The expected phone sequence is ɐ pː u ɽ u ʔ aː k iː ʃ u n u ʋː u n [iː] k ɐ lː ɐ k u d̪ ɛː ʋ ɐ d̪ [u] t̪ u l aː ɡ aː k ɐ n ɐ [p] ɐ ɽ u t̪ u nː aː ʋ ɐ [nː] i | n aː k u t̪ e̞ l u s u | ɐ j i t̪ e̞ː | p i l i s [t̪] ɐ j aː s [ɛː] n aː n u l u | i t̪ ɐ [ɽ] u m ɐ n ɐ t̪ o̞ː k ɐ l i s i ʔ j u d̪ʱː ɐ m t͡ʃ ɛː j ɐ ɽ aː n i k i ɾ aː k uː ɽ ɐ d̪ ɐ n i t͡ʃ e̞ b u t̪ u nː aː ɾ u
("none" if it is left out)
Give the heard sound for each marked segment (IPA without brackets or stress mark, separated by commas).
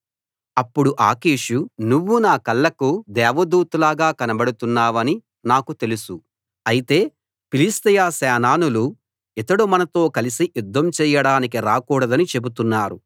aː, uː, b, n, t̪, ɛː, ɽ